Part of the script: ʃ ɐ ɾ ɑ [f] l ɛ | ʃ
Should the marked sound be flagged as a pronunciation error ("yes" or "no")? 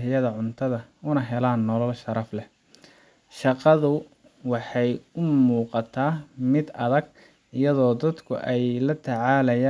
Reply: no